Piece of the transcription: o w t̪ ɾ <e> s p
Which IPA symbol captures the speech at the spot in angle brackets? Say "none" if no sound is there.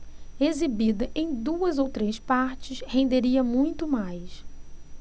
e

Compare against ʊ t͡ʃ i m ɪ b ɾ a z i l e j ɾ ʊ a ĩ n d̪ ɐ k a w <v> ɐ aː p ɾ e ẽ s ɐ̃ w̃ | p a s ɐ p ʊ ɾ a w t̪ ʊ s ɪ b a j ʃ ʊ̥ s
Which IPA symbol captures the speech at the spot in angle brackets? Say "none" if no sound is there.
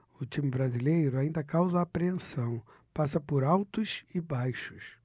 z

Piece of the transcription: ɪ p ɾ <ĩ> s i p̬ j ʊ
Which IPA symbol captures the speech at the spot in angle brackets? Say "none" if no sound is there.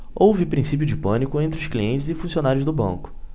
ĩ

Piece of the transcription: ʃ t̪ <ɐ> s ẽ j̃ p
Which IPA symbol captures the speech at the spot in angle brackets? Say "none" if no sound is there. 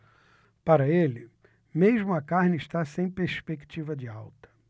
a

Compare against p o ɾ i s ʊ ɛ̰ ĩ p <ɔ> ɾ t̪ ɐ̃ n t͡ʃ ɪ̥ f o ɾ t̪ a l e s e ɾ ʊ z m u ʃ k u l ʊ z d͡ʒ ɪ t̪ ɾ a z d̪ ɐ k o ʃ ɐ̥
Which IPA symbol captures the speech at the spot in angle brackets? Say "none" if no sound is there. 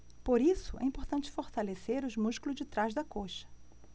o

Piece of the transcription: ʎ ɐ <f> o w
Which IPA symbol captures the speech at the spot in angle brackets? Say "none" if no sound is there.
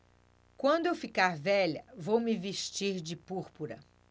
v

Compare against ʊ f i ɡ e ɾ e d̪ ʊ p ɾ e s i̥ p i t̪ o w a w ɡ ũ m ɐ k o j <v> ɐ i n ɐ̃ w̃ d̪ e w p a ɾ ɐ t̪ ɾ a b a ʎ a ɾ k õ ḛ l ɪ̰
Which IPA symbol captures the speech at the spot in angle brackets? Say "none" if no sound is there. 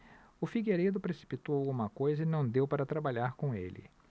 z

